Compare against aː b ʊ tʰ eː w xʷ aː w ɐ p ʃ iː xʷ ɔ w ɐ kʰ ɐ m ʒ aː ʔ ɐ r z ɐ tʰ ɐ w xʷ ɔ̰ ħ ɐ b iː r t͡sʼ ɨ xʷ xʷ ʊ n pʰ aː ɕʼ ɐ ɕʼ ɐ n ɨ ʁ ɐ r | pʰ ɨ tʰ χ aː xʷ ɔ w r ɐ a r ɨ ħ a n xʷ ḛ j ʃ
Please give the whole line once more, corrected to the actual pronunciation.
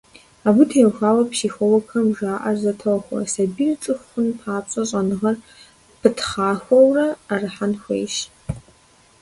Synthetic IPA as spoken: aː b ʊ tʰ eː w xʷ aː w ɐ p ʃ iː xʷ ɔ w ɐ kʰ ɐ m ʒ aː ʔ ɐ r z ɐ tʰ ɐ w xʷ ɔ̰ s ɐ b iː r t͡sʼ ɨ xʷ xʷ ʊ n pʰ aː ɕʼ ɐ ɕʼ ɐ n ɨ ʁ ɐ r | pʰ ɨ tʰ χ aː xʷ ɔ w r ɐ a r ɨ ħ a n xʷ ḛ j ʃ

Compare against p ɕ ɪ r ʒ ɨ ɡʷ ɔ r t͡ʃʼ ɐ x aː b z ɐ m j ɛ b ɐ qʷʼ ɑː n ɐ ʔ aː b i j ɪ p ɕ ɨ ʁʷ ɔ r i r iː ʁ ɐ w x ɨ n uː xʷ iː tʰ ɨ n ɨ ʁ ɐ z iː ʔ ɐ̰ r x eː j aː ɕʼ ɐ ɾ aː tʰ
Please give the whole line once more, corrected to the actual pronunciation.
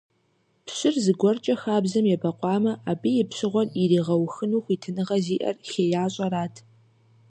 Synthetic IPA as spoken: p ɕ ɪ r z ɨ ɡʷ ɔ r t͡ʃʼ ɐ x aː b z ɐ m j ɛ b ɐ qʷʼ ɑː m ɐ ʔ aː b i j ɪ p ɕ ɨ ʁʷ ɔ r i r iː ʁ ɐ w x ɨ n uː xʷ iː tʰ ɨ n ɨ ʁ ɐ z iː ʔ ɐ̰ r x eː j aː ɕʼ ɐ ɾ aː tʰ

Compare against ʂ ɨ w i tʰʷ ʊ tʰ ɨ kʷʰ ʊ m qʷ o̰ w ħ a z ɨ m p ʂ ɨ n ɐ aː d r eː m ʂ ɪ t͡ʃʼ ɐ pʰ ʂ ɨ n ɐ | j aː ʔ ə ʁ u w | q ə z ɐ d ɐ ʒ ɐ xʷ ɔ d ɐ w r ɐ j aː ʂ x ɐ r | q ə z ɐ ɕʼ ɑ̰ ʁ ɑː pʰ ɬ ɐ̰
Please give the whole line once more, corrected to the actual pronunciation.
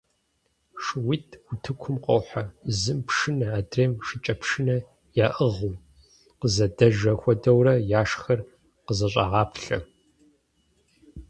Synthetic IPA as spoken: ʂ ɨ w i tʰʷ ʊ tʰ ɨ kʷʰ ʊ m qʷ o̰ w ħ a z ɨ m p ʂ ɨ n ɐ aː d r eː m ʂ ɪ t͡ʃʼ ɐ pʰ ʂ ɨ n ɐ | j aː ʔ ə ʁ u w | q ə z ɐ d ɐ ʒ ɐ xʷ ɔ d ɐ w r ɐ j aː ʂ x ɐ r | q ə z ɐ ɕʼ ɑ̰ ʁ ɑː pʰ ɬ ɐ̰

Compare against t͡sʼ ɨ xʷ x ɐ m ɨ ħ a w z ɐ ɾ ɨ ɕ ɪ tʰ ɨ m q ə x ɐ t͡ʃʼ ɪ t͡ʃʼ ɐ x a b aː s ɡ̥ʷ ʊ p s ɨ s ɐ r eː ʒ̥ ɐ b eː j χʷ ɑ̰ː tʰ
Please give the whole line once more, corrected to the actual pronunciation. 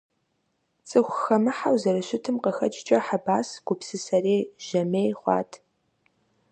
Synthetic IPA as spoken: t͡sʼ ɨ xʷ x ɐ m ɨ ħ a w z ɐ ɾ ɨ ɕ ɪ tʰ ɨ m q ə x ɐ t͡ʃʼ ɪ t͡ʃʼ ɐ ħ a b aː s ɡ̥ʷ ʊ p s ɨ s ɐ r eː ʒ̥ ɐ m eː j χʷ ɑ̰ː tʰ

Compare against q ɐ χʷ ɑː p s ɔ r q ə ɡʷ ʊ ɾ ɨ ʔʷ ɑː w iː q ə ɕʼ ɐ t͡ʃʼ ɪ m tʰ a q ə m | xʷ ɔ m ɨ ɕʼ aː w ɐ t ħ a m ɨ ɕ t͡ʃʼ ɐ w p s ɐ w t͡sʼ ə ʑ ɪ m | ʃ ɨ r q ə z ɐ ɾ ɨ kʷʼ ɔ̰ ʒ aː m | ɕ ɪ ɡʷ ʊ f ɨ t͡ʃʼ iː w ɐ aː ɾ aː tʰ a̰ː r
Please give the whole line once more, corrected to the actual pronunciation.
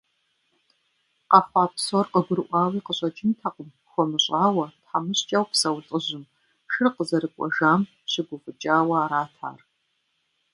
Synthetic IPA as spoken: q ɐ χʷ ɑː p s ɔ r q ə ɡʷ ʊ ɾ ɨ ʔʷ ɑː w iː q ə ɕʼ ɐ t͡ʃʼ ɪ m tʰ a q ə m | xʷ ɔ m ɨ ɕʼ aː w ɐ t ħ a m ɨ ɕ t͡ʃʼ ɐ w p s ɐ w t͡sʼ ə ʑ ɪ m | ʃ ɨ r q ə z ɐ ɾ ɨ kʷʼ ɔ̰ ʒ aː m | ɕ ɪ ɡʷ ʊ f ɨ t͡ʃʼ aː w ɐ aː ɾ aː tʰ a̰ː r

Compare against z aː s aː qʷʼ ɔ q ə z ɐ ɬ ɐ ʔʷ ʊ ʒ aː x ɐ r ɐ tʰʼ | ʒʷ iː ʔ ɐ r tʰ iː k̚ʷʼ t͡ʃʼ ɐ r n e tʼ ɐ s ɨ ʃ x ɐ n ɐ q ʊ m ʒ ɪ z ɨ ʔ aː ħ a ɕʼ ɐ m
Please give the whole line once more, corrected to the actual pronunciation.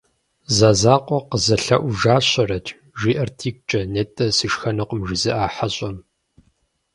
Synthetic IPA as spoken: z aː z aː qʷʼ ɔ q ə z ɐ ɬ ɐ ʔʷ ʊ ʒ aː ɕ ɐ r ɐ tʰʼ | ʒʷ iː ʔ ɐ r tʰ iː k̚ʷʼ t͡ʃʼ ɐ n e tʼ ɐ s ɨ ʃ x ɐ n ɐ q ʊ m ʒ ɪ z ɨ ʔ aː ħ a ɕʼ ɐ m

